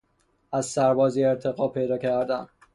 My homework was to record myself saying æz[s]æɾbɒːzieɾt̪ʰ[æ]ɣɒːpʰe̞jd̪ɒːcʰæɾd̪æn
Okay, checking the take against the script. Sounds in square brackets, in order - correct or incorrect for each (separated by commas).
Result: correct, incorrect